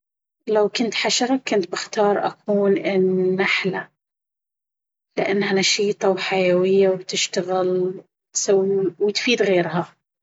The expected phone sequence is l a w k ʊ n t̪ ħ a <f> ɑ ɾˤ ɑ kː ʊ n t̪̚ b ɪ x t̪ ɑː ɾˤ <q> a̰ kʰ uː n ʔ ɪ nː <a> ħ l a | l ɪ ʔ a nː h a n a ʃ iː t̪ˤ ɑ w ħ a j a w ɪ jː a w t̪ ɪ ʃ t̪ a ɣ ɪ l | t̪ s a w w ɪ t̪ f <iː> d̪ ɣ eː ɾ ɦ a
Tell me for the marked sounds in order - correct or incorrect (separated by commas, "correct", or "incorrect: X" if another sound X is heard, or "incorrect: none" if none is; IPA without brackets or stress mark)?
incorrect: ʃ, incorrect: ʔ, correct, correct